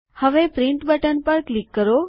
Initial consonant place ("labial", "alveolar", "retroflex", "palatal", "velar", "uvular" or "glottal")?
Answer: glottal